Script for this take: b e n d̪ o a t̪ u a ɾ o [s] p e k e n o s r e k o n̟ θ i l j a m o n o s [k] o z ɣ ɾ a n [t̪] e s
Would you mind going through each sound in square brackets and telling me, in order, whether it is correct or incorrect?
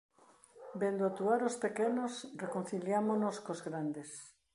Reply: correct, correct, incorrect

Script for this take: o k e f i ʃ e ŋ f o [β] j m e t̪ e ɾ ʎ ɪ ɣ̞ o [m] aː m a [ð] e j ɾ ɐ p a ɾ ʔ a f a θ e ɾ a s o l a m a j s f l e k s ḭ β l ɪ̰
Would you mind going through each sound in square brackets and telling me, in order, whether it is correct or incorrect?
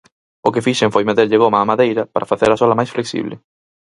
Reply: incorrect, correct, correct

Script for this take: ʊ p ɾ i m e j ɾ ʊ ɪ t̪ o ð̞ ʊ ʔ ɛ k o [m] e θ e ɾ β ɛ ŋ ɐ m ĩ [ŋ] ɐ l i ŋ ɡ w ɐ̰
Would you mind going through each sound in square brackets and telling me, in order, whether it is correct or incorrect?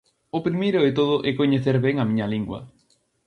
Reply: incorrect, incorrect

